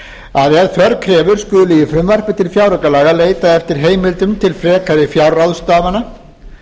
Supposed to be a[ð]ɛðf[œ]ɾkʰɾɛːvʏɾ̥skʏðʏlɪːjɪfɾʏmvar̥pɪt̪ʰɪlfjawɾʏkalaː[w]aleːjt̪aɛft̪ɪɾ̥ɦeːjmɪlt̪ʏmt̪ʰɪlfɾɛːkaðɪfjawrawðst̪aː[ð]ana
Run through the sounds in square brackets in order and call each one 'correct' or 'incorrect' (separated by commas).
correct, correct, incorrect, incorrect